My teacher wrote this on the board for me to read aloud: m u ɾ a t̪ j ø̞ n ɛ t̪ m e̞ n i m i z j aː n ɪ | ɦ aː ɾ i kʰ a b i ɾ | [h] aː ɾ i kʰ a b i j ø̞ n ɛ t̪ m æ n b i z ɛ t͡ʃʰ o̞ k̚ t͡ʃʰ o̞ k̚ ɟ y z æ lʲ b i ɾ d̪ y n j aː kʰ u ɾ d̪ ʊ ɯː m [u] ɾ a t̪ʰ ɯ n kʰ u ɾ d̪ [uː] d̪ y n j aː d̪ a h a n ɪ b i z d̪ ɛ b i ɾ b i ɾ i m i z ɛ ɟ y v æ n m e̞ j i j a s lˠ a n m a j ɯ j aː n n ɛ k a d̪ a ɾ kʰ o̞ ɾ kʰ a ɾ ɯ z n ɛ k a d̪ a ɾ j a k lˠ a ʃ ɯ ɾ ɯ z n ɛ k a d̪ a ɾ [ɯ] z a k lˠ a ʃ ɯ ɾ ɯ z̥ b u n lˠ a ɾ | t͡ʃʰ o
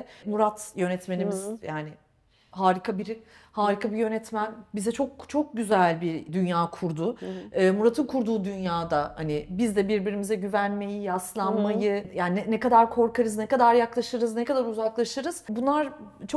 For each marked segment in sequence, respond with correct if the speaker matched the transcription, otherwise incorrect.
correct, correct, correct, incorrect: u

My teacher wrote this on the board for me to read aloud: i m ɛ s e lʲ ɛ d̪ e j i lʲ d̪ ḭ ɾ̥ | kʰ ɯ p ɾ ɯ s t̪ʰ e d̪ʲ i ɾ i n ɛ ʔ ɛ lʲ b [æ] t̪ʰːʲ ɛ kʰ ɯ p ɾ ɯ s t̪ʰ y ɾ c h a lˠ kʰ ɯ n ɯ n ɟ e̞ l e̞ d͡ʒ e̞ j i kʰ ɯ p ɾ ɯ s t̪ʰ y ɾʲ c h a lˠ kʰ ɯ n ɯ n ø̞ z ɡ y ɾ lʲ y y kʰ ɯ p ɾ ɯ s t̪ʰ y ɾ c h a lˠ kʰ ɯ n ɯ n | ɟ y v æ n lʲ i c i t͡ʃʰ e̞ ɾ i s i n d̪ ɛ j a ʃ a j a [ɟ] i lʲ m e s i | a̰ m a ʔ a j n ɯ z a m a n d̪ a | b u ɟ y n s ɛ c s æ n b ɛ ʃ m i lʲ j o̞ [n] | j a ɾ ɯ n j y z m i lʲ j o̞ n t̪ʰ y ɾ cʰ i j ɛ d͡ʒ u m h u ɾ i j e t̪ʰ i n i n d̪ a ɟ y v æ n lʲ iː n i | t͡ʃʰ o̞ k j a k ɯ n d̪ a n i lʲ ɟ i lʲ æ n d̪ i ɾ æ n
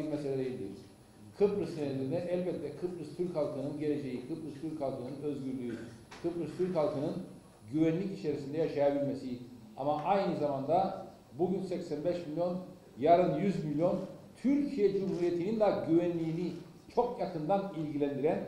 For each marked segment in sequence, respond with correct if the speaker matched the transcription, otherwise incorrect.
incorrect: ɛ, incorrect: b, correct

